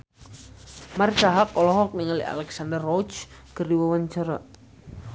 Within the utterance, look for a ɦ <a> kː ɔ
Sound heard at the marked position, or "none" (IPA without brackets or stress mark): a